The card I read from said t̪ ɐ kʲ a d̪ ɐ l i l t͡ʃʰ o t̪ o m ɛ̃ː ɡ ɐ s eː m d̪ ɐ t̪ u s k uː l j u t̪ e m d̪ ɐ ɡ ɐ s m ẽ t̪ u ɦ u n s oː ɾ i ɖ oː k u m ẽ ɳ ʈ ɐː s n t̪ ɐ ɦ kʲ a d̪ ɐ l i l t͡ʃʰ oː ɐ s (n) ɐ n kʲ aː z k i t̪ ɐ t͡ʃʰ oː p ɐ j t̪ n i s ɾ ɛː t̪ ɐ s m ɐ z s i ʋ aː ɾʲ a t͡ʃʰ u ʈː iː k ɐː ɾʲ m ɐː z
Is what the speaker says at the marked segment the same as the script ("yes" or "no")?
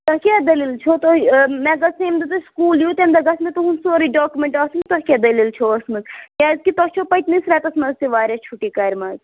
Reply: no